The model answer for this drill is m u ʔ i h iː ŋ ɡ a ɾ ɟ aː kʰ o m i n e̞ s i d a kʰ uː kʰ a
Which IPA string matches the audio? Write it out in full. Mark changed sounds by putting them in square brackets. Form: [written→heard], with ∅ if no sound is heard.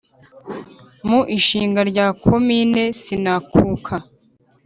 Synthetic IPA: m u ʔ i [h→ʃ] iː ŋ ɡ a ɾ ɟ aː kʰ o m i n e̞ s i [d→n] a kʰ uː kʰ a